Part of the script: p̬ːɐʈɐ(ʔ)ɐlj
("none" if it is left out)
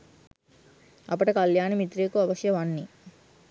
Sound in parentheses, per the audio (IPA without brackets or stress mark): k